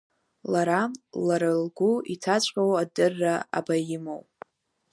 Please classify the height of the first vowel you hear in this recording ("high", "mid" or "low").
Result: low